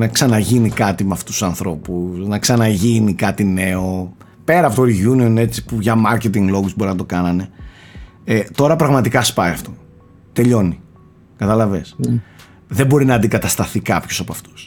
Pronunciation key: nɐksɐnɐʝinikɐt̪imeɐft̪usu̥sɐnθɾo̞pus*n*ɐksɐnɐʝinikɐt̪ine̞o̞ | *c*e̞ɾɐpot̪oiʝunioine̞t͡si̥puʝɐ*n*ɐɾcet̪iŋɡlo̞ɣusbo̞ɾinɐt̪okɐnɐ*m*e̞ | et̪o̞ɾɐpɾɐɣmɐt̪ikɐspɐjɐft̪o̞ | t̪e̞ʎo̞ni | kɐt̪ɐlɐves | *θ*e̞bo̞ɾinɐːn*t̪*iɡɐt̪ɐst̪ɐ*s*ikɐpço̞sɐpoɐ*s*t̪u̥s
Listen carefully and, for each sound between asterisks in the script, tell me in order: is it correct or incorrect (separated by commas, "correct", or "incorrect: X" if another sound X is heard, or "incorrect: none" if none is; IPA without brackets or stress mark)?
correct, incorrect: p, incorrect: m, incorrect: n, incorrect: ð, incorrect: d̪, incorrect: θ, incorrect: f